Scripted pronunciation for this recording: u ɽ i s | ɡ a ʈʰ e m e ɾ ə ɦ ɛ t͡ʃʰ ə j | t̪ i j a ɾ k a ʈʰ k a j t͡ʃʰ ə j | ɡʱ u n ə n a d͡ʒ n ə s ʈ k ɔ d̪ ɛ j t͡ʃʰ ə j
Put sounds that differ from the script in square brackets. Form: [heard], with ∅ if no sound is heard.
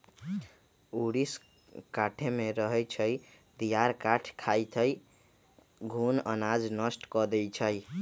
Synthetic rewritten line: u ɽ i s | [k] a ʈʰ e m e ɾ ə ɦ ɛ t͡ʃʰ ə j | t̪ i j a ɾ k a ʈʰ [kʰ] a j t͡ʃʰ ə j | ɡʱ u n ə n a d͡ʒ n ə s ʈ k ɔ d̪ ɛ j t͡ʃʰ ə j